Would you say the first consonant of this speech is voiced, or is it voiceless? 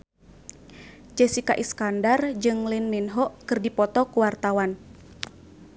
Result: voiced